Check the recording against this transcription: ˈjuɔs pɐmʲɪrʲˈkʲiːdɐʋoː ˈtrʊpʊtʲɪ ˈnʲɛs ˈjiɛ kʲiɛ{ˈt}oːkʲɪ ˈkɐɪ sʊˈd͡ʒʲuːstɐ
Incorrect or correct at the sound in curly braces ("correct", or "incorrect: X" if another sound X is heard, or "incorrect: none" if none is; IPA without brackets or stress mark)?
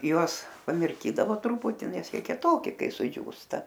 correct